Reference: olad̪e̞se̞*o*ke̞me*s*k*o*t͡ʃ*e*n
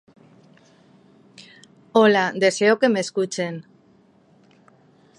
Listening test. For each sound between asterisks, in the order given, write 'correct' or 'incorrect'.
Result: correct, correct, incorrect: u, correct

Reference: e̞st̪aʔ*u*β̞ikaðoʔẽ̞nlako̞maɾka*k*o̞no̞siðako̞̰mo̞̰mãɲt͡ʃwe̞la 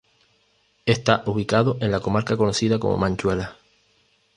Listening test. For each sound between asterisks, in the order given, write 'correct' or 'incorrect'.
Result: correct, correct

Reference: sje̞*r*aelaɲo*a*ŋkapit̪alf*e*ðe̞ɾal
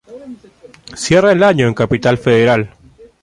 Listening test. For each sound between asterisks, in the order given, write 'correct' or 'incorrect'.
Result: correct, incorrect: e, correct

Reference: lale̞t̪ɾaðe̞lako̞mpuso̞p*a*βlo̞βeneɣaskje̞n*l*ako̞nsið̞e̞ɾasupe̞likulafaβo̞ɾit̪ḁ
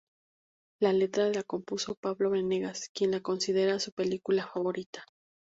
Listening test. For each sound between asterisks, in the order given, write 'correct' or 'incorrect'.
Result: correct, correct

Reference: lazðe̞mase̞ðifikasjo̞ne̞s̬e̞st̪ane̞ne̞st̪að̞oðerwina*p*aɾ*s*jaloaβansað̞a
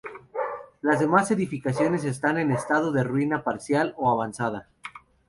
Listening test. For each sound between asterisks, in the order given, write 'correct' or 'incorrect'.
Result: correct, correct

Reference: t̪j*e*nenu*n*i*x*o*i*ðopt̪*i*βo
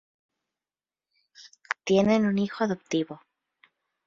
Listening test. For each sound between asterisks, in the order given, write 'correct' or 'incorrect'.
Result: correct, correct, correct, incorrect: a, correct

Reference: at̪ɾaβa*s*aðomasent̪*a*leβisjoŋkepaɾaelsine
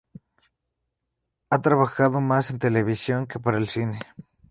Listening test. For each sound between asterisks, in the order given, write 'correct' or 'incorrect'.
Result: incorrect: x, incorrect: e

